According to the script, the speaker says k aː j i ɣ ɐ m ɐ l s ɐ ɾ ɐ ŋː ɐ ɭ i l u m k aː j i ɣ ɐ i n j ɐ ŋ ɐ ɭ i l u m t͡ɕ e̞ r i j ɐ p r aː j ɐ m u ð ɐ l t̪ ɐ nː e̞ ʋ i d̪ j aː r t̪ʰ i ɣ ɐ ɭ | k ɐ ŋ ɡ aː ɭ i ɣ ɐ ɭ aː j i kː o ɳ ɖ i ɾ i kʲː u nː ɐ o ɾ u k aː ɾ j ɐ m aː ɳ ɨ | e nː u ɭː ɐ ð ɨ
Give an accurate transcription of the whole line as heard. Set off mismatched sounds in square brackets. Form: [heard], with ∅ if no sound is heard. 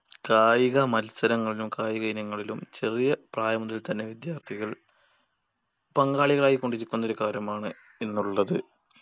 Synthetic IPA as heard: k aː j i ɣ ɐ m ɐ l s ɐ ɾ ɐ ŋː ɐ ɭ i l u m k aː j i ɣ ɐ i n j ɐ [ŋː] ɐ ɭ i l u m t͡ɕ e̞ r i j ɐ p r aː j ɐ m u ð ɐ l t̪ ɐ nː e̞ ʋ i d̪ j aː r t̪ʰ i ɣ ɐ ɭ | [p] ɐ ŋ ɡ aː ɭ i ɣ ɐ ɭ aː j i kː o ɳ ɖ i ɾ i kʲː u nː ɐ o ɾ u k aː ɾ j ɐ m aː ɳ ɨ | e nː u ɭː ɐ ð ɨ